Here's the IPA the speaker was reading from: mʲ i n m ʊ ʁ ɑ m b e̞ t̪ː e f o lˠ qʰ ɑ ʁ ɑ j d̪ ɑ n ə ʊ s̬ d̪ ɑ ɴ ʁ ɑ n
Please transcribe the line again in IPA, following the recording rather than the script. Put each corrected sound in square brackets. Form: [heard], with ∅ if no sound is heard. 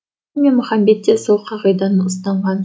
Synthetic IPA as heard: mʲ [e] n m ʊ [χ] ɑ m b e̞ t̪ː e [s] o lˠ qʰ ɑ ʁ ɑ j d̪ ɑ n ə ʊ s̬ [t̪] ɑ ɴ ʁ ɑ n